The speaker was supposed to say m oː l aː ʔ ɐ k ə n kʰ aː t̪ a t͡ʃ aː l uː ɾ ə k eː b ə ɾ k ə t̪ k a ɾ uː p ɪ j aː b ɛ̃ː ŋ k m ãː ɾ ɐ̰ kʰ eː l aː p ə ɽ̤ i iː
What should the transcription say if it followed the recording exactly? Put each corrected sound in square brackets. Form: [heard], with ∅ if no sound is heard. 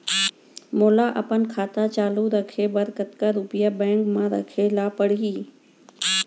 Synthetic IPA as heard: m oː l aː ʔ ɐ [p] ə n kʰ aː t̪ a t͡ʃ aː l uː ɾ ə [kʰ] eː b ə ɾ k ə t̪ k a ɾ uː p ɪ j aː b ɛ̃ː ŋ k m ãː ɾ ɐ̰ kʰ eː l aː p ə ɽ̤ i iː